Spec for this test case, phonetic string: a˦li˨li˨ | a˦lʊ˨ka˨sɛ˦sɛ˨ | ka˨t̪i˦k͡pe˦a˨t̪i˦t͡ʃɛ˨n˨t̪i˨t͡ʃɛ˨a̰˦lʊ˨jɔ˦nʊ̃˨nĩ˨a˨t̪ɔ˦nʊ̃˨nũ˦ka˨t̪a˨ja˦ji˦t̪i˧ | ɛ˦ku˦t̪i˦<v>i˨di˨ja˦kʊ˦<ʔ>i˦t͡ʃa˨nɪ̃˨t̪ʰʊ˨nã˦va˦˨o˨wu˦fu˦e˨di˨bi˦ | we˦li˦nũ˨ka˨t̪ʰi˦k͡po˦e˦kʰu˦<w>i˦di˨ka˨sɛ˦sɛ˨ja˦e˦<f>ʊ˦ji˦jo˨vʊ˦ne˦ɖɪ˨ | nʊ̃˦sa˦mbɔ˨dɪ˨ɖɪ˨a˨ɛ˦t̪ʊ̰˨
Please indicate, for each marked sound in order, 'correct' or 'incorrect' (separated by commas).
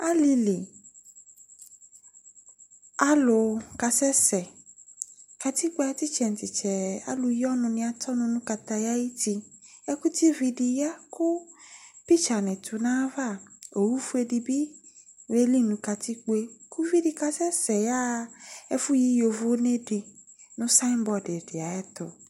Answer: correct, incorrect, incorrect, correct